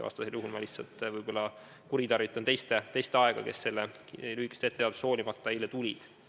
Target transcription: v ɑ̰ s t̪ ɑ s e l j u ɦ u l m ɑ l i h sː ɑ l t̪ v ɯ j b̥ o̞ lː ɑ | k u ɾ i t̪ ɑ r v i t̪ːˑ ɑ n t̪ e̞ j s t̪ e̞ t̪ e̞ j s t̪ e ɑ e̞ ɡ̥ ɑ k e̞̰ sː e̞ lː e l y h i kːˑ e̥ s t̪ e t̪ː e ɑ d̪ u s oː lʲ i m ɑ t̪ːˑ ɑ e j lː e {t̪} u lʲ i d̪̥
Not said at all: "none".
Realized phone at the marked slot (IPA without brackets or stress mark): t̪